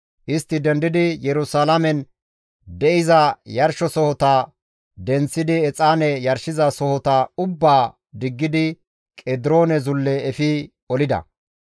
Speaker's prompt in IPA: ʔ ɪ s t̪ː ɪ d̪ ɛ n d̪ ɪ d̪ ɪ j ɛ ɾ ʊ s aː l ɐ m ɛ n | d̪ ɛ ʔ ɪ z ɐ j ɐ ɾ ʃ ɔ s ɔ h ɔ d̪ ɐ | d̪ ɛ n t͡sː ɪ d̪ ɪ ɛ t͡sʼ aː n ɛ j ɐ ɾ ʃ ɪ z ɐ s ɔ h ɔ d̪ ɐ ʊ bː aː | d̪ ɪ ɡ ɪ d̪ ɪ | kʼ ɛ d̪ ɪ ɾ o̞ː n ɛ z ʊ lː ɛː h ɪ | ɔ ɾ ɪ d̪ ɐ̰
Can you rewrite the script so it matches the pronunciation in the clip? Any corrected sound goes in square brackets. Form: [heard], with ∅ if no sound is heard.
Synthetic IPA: ʔ ɪ s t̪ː ɪ d̪ ɛ n d̪ ɪ d̪ ɪ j ɛ ɾ ʊ s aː l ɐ m ɛ n | d̪ ɛ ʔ ɪ z ɐ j ɐ ɾ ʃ ɔ s ɔ h ɔ [t̪] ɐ | d̪ ɛ n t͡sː ɪ d̪ ɪ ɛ t͡sʼ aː n ɛ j ɐ ɾ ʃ ɪ z ɐ s ɔ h ɔ [t̪] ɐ ʊ bː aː | d̪ ɪ [ɡː] ɪ d̪ ɪ | kʼ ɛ d̪ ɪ ɾ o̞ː n ɛ z ʊ lː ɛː [f] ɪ | ɔ [l] ɪ d̪ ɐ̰